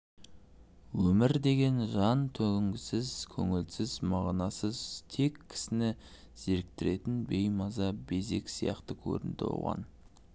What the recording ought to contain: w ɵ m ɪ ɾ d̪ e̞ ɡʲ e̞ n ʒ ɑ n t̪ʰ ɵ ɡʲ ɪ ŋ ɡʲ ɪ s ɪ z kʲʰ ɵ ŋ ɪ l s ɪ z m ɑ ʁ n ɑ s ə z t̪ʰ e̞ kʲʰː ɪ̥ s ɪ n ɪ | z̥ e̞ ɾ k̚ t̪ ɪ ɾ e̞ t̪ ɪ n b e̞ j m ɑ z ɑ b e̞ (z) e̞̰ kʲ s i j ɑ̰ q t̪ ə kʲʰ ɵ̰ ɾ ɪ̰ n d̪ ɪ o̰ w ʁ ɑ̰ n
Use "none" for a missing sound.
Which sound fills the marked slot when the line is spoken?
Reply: z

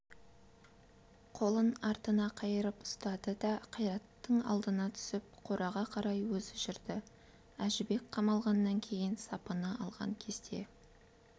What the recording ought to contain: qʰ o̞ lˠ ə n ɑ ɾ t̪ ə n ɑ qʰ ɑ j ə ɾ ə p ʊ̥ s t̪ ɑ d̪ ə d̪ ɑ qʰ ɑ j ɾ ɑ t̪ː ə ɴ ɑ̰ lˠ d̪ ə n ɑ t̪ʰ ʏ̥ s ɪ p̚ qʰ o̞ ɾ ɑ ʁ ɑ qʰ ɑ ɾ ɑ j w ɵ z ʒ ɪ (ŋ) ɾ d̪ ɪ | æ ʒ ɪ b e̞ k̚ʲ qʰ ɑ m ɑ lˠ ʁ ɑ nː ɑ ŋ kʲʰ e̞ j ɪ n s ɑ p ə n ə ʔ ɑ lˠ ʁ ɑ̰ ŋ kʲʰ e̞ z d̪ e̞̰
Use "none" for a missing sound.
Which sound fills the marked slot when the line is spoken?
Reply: none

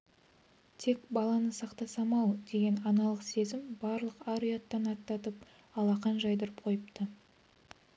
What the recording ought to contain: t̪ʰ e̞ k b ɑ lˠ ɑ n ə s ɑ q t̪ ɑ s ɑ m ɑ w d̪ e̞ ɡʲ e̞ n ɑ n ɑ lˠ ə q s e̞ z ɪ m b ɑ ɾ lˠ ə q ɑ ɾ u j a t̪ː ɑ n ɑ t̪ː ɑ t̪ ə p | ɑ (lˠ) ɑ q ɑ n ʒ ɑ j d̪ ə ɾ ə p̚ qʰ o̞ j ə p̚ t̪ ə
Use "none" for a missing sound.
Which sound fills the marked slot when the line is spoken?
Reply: lˠ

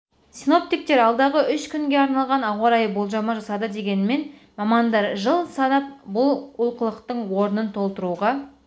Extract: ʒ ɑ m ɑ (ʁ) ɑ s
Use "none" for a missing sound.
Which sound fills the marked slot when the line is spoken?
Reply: ʒ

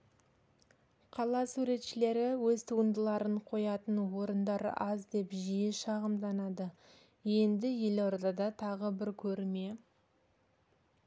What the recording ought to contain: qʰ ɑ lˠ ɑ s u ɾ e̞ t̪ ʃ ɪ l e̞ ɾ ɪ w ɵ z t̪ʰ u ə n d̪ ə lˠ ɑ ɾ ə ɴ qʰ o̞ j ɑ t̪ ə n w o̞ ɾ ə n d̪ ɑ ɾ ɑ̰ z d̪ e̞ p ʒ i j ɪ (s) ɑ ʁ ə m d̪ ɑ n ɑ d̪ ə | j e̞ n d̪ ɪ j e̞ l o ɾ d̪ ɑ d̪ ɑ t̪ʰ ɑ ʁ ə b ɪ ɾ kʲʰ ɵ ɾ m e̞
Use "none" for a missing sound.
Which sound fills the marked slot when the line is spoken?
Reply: ʃ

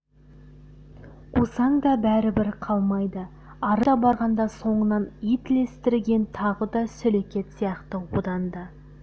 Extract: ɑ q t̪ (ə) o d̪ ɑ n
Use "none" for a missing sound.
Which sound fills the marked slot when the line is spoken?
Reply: ə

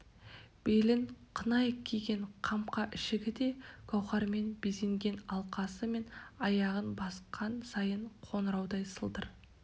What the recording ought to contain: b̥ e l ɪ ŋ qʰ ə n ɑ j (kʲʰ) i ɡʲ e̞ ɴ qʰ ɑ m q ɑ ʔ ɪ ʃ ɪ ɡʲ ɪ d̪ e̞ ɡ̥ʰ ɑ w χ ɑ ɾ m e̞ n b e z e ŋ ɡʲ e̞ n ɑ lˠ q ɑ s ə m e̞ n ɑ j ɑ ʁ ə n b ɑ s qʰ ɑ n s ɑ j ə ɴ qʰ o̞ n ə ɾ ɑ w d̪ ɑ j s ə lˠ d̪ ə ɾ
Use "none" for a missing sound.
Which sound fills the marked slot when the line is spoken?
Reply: kʲʰ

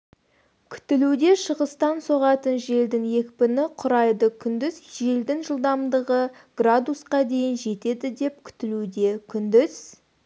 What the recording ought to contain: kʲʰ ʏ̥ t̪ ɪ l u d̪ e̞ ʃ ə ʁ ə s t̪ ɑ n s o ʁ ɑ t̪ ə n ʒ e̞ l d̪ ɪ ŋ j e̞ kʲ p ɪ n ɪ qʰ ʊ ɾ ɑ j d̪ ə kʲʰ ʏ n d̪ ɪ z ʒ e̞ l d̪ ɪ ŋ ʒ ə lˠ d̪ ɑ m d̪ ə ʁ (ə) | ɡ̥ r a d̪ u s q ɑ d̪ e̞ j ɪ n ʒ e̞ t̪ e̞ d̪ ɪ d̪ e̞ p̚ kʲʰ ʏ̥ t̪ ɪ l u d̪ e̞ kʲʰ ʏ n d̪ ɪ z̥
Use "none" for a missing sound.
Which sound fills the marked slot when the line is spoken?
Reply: ə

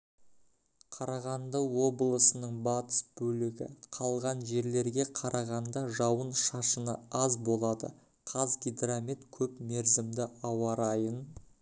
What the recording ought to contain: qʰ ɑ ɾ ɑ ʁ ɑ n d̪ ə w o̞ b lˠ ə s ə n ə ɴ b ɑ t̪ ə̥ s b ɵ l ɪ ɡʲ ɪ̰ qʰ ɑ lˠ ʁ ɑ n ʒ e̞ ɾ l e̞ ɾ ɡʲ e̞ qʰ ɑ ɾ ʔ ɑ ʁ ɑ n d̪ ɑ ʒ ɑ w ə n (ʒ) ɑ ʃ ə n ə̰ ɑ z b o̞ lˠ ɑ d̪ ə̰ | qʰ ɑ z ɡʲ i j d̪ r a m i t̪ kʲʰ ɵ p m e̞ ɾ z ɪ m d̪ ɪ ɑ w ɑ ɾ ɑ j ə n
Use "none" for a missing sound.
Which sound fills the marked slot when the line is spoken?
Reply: ʃ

